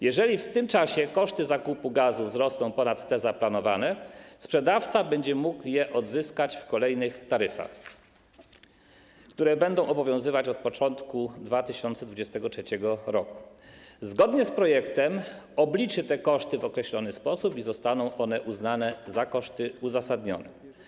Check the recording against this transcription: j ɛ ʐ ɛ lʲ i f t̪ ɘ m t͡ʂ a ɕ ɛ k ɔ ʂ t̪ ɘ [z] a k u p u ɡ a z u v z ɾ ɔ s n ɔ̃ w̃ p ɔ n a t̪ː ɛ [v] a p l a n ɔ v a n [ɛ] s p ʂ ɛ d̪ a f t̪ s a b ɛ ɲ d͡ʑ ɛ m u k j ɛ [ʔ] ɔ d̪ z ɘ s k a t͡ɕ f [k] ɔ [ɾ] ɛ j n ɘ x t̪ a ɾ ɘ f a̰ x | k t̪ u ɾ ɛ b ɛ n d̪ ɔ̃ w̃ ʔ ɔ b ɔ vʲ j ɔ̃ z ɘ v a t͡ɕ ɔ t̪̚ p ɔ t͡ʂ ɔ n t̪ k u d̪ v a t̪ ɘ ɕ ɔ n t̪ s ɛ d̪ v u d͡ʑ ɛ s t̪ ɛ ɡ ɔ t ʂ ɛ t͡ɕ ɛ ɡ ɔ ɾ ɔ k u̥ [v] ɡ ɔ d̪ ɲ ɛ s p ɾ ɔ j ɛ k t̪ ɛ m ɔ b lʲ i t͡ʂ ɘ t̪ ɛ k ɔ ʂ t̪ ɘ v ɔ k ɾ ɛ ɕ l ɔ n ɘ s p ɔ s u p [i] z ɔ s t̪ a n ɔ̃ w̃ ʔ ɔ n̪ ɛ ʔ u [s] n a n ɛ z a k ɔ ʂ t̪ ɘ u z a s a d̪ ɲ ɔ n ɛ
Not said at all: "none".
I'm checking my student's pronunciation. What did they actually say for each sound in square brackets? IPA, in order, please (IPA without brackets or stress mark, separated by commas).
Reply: z, z, ɛ, ʔ, k, l, z, i, z